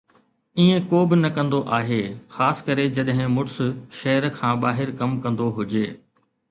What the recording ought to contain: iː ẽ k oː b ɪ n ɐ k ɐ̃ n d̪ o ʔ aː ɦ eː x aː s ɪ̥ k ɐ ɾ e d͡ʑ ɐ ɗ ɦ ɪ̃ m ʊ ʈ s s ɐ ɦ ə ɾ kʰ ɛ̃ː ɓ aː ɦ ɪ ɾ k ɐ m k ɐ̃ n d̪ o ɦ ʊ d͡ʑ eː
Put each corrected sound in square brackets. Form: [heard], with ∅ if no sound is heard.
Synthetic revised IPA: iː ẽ k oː b ɪ n ɐ k ɐ̃ n d̪ o ʔ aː ɦ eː x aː s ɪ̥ k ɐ ɾ e d͡ʑ ɐ ɗ ɦ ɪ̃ m ʊ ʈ s [ʃ] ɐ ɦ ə ɾ kʰ [ãː] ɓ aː ɦ ɪ ɾ k ɐ m k ɐ̃ n d̪ o ɦ ʊ d͡ʑ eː